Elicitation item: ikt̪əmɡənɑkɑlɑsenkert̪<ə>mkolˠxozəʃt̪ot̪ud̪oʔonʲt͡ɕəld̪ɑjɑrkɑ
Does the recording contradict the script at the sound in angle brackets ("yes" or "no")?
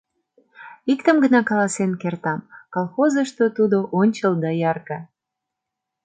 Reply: yes